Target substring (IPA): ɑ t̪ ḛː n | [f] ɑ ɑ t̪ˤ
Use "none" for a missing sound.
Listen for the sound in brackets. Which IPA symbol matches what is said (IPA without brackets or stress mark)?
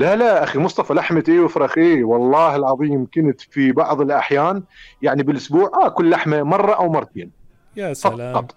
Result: f